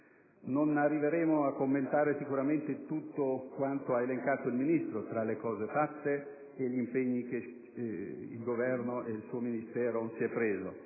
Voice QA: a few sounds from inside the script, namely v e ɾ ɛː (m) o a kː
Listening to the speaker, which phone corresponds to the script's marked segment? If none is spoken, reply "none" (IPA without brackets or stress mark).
m